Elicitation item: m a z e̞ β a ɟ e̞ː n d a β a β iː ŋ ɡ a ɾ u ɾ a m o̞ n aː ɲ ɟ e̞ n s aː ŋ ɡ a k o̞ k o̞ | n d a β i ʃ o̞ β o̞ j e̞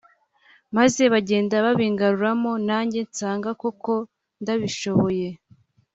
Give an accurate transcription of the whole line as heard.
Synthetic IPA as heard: m a z e̞ β a ɟ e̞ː n d a β a β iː ŋ ɡ a ɾ u ɾ a m o̞ n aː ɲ ɟ e̞ n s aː ŋ ɡ a k o̞ k o̞ | n d a β i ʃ o̞ β o̞ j e̞